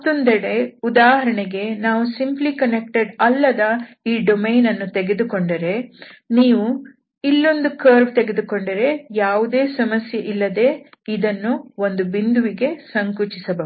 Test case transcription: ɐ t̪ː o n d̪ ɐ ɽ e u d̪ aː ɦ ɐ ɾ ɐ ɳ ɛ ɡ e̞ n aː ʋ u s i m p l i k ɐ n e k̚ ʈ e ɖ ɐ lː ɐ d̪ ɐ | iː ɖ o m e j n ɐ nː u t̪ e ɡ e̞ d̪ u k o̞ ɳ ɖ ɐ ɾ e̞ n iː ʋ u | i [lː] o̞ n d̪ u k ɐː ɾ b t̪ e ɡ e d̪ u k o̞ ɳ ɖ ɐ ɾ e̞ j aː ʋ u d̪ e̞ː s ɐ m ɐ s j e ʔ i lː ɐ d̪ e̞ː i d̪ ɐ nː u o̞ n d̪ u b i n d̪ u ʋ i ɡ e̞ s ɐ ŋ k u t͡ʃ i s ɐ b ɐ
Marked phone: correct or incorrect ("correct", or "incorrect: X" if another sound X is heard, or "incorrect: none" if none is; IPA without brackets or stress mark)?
correct